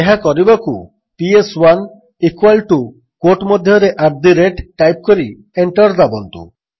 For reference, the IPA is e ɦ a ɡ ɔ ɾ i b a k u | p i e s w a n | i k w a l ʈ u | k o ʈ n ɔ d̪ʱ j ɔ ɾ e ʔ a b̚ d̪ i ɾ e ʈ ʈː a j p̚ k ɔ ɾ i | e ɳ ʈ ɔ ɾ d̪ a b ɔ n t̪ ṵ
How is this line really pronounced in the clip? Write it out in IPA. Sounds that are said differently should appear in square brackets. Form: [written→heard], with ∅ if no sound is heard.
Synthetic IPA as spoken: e ɦ a [ɡ→k] ɔ ɾ i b a k u | p i e s w a n | i k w a l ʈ u | k o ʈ [n→m] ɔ d̪ʱ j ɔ ɾ e ʔ a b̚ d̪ i ɾ e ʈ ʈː a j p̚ k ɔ ɾ i | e ɳ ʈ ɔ ɾ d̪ a b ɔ n t̪ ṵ